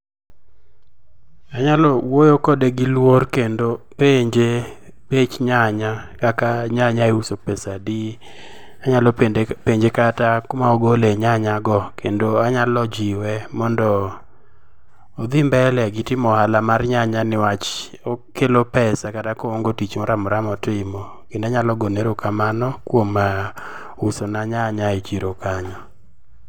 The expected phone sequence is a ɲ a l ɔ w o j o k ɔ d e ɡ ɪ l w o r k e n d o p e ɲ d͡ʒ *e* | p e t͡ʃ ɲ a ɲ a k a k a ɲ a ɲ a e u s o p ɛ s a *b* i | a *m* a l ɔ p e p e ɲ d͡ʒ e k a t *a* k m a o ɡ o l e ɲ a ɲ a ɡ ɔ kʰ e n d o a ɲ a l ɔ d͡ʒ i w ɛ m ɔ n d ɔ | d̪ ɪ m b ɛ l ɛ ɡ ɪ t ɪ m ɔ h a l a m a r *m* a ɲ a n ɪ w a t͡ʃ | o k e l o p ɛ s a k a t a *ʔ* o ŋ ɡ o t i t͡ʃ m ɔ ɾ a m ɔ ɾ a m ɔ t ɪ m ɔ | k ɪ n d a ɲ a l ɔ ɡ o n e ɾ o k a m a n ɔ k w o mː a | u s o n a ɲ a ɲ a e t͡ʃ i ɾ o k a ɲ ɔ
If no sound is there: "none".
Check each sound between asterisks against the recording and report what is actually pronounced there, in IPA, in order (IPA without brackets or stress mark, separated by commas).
e, d, ɲ, a, ɲ, k